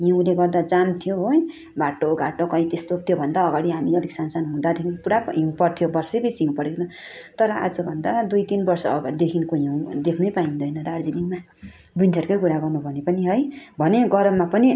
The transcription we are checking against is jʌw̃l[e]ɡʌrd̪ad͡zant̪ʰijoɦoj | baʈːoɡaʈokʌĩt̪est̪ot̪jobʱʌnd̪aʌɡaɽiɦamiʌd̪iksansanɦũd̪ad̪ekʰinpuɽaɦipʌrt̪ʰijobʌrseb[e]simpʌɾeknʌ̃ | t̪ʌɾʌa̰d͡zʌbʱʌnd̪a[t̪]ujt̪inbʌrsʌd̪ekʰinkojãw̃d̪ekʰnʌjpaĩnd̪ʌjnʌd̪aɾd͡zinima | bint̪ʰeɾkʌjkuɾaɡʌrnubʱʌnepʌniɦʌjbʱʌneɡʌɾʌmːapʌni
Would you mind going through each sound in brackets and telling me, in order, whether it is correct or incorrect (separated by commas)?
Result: correct, incorrect, incorrect